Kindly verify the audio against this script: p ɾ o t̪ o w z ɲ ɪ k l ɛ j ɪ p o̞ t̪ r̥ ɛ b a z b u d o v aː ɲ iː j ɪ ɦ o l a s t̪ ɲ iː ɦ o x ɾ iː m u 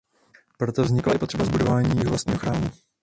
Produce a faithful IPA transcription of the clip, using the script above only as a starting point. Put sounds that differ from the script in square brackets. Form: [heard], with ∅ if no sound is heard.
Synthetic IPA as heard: p ɾ o t̪ o [v] z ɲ ɪ k l [a] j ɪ p o̞ t̪ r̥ ɛ b a z b u d o v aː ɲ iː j ɪ ɦ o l a s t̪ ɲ iː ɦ o x ɾ [aː] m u